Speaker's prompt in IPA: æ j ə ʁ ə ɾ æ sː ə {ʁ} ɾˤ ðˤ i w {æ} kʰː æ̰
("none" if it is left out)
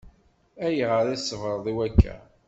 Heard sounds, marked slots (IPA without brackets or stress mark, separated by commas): v, æ